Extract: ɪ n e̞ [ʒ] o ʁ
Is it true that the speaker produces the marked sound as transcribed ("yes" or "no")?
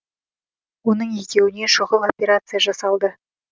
no